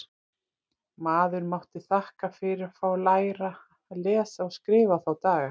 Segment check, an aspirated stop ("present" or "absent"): absent